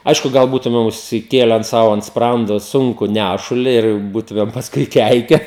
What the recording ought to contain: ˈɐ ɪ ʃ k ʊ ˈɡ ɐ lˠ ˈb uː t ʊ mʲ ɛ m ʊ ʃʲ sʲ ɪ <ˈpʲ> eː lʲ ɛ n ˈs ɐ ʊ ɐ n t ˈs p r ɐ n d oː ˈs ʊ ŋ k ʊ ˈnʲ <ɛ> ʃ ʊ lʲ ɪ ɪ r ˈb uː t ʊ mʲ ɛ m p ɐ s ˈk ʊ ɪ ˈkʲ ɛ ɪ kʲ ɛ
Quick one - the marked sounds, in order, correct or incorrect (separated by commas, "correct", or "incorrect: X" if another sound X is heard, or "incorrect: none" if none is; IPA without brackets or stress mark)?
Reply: incorrect: kʲ, incorrect: æ